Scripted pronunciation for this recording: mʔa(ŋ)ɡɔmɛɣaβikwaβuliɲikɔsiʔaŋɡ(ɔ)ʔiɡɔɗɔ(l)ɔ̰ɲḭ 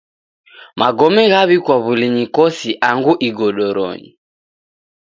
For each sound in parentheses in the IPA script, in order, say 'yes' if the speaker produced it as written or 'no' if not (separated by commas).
no, no, no